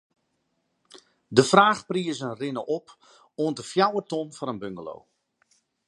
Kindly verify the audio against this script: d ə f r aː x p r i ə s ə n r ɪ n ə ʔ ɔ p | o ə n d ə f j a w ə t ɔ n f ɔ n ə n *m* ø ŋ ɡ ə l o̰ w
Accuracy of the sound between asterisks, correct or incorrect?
incorrect